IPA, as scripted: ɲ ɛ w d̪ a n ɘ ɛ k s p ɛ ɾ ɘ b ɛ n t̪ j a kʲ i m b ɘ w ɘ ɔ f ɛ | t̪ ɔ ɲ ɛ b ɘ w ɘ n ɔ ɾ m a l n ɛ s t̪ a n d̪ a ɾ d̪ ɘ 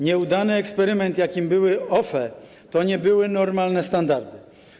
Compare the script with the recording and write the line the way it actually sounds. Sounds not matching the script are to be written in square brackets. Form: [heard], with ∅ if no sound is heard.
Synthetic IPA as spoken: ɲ ɛ [u] d̪ a n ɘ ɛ k s p ɛ ɾ ɘ [m] ɛ n t̪ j a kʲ i m b ɘ w ɘ ɔ f ɛ | t̪ ɔ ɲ ɛ b ɘ w ɘ n ɔ ɾ m a l n ɛ s t̪ a n d̪ a ɾ d̪ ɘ